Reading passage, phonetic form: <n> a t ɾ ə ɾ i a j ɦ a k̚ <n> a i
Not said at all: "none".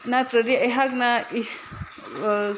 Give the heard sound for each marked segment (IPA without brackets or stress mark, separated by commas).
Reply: n, n